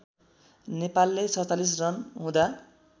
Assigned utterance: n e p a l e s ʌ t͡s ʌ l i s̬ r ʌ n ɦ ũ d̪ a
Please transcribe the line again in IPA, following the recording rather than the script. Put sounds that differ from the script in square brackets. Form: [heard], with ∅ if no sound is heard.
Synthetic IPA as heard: n e p a [lː] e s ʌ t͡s [a] l i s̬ r ʌ n ɦ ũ d̪ a